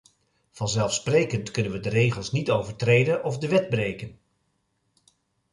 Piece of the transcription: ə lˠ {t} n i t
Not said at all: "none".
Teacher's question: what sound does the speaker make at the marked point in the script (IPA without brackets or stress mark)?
s